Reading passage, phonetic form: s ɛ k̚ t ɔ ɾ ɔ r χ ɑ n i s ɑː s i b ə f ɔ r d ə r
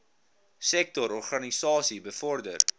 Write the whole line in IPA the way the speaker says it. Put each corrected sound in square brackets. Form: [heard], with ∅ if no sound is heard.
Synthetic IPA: s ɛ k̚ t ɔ ɾ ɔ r χ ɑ n i s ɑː s i b ə f ɔ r d ə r